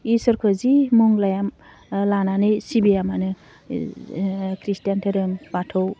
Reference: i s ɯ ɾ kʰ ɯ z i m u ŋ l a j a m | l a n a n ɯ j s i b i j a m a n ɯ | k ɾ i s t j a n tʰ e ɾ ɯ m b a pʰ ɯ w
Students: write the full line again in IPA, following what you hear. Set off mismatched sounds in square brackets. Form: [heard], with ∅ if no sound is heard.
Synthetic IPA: i s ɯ ɾ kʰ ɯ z i m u ŋ l a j a m | l a n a n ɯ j s i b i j a m a n ɯ | k ɾ i s t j a n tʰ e ɾ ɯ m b a [tʰ] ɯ w

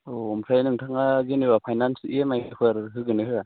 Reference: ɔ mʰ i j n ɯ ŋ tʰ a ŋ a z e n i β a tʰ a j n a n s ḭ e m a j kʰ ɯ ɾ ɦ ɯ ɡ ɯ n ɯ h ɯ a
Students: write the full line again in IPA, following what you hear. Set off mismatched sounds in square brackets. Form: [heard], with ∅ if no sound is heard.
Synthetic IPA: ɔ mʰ [a] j n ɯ ŋ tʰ a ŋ a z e n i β a [pʰ] a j n a n s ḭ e m a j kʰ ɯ ɾ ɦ ɯ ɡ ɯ n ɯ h ɯ a

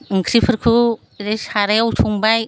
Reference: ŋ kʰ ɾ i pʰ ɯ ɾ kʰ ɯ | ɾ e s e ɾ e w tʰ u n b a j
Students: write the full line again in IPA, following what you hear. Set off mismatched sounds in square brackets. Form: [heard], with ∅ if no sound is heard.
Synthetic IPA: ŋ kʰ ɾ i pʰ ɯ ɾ kʰ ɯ | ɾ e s [a] ɾ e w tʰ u [ŋ] b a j

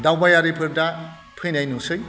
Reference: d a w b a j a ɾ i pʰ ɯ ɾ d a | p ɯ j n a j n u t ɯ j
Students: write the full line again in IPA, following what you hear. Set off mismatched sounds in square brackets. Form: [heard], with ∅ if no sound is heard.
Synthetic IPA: d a w b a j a ɾ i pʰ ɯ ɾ d a | [pʰ] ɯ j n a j n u [s] ɯ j

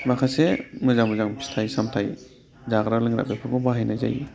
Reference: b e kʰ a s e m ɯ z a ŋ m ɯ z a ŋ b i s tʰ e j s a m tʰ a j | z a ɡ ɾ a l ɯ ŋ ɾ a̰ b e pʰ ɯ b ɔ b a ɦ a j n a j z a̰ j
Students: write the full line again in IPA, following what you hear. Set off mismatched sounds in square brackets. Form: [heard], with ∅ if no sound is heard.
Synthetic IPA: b [a] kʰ a s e m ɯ z a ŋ m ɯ z a ŋ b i s tʰ [a] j s a m tʰ a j | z a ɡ ɾ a l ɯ ŋ ɾ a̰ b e pʰ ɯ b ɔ b a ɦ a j n a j z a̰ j

